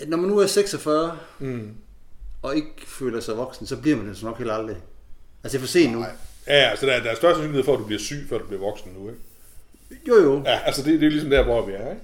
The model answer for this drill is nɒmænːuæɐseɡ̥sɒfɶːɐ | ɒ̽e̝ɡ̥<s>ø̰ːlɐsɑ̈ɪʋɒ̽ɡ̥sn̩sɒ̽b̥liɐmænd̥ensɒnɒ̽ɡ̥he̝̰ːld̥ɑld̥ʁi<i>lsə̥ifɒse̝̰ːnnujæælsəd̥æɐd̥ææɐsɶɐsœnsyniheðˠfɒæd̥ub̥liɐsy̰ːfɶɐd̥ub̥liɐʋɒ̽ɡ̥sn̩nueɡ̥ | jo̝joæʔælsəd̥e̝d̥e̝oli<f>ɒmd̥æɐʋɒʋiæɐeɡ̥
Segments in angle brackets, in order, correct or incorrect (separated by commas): incorrect, incorrect, incorrect